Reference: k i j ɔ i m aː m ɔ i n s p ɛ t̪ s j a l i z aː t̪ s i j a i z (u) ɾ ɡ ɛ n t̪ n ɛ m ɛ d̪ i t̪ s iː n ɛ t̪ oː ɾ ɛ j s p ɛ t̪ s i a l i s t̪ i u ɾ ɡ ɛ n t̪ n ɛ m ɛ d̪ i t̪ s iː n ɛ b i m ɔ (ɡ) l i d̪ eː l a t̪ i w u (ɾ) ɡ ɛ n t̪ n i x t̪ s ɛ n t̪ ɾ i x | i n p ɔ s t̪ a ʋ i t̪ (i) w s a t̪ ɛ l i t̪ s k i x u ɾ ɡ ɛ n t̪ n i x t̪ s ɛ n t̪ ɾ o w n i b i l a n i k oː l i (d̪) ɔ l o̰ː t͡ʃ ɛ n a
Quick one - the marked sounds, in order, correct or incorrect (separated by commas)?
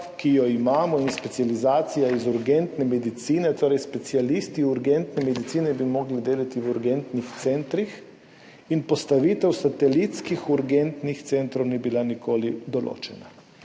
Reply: correct, correct, correct, incorrect, correct